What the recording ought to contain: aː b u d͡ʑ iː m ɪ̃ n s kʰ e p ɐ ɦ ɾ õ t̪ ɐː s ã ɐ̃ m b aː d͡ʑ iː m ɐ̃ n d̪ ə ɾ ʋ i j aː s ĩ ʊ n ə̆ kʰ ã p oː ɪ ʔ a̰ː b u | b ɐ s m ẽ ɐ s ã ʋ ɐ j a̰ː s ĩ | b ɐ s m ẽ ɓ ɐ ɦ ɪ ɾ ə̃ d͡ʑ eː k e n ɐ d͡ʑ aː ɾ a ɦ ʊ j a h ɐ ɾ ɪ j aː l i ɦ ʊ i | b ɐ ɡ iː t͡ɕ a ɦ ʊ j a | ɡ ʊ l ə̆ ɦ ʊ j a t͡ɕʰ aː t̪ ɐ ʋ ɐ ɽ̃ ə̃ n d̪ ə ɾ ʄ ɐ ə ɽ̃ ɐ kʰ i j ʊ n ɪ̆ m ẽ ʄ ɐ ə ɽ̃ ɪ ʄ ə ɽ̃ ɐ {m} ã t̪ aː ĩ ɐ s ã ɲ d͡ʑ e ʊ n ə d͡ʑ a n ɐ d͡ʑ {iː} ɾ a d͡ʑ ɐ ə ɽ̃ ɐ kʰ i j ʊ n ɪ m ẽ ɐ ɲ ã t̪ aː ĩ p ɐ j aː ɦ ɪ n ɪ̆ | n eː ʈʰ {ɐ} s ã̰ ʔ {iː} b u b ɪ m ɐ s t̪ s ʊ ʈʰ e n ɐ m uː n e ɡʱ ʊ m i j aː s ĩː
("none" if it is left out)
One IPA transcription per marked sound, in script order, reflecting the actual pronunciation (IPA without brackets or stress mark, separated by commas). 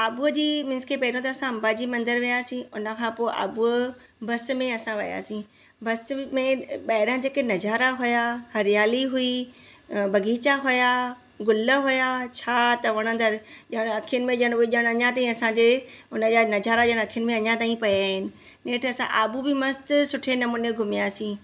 ɲ, aː, ɐ, aː